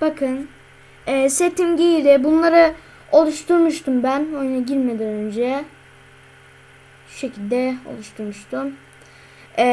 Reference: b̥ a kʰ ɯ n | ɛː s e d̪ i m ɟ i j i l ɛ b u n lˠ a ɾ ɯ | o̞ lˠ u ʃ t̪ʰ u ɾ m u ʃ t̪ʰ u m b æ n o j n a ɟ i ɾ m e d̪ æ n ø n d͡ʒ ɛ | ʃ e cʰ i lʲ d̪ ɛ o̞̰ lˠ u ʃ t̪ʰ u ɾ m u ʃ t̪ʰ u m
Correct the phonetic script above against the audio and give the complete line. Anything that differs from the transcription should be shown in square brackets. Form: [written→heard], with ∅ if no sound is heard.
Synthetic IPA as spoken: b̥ a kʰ ɯ n | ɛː s e [d̪→t̪] i m ɟ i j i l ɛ b u n lˠ a ɾ ɯ | o̞ lˠ u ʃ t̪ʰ u ɾ m u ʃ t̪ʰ u m b æ n o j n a ɟ i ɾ m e d̪ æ n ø n d͡ʒ ɛ | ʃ e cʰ i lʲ d̪ ɛ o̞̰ lˠ u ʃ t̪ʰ u ɾ m u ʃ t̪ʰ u m